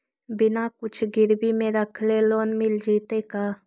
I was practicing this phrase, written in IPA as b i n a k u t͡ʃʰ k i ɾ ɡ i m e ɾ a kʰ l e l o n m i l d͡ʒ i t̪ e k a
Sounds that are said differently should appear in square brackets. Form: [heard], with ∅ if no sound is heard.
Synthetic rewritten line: b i n a k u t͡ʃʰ [ɡ] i ɾ [b] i m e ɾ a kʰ l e l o n m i l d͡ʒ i t̪ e k a